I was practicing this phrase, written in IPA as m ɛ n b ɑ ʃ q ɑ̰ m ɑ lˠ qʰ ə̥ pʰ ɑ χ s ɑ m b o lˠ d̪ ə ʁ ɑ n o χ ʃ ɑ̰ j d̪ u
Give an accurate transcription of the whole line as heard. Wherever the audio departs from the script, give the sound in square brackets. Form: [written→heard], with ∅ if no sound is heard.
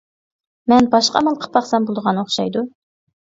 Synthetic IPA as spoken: m ɛ n b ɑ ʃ q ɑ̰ m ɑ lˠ qʰ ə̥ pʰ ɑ χ s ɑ m b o lˠ d̪ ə ʁ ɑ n o χ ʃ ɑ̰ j d̪ u